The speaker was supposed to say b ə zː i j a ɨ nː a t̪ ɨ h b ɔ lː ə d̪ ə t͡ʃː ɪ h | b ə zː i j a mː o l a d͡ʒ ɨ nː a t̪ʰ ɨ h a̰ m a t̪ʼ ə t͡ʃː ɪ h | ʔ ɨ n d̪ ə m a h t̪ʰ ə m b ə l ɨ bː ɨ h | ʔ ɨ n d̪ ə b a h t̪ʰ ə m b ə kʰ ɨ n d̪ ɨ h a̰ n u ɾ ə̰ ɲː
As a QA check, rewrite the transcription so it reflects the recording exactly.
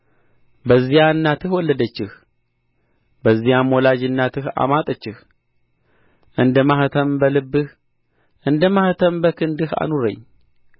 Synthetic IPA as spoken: b ə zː i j a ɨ nː a t̪ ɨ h w ɔ lː ə d̪ ə t͡ʃː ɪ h | b ə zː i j a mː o l a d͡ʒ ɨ nː a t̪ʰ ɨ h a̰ m a t̪ʼ ə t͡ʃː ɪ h | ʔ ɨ n d̪ ə m a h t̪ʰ ə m b ə l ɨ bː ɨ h | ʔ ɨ n d̪ ə m a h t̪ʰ ə m b ə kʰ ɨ n d̪ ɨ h a̰ n u ɾ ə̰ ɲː